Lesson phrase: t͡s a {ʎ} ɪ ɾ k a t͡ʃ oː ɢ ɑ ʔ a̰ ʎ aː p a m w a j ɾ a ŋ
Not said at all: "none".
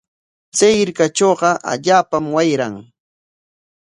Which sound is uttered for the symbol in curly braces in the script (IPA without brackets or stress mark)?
j